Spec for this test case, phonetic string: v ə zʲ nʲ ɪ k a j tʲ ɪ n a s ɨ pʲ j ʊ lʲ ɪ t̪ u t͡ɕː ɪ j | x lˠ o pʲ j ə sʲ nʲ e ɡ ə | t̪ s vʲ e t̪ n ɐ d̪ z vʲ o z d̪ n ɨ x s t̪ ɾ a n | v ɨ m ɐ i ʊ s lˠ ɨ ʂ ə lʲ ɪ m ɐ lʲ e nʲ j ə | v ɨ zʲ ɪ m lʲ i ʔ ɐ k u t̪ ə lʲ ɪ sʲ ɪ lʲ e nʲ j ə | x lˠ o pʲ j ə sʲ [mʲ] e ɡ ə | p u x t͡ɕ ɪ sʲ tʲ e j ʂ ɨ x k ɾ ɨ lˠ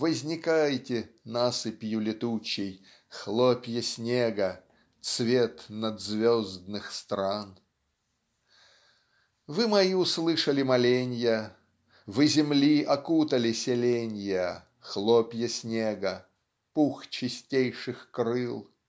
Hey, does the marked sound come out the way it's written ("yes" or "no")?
no